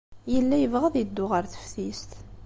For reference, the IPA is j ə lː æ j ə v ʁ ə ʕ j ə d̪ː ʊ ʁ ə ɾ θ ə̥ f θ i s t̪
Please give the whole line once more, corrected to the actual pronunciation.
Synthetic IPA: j ə lː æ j ə v ʁ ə ð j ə d̪ː ʊ ʁ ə ɾ θ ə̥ f θ i s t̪